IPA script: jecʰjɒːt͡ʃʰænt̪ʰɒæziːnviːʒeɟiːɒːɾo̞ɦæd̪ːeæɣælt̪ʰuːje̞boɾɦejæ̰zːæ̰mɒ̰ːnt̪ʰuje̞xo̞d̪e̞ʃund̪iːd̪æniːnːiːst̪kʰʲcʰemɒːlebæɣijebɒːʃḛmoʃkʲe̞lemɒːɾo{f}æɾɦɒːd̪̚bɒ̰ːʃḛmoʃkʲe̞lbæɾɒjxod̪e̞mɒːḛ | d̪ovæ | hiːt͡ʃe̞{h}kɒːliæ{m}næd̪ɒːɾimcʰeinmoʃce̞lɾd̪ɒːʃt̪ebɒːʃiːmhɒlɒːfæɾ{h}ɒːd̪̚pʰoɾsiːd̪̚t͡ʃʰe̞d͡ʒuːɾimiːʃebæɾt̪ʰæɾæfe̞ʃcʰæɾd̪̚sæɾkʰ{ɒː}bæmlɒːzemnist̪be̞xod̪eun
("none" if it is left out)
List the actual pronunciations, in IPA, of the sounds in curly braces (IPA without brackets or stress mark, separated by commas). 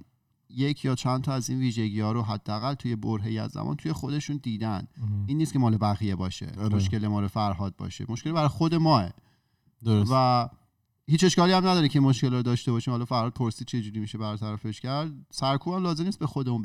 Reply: f, ʃ, m, h, uː